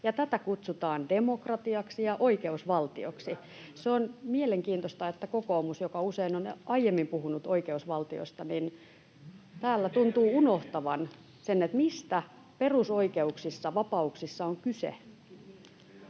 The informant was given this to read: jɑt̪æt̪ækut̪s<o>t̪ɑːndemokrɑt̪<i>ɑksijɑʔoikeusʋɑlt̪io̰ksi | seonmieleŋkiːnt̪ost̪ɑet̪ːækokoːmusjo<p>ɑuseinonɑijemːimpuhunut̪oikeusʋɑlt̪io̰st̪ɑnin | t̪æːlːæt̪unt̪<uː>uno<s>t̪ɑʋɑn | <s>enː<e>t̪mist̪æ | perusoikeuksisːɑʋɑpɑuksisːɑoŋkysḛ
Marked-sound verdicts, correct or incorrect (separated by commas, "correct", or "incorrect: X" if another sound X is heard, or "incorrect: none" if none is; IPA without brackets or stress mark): incorrect: u, correct, incorrect: k, correct, incorrect: h, correct, correct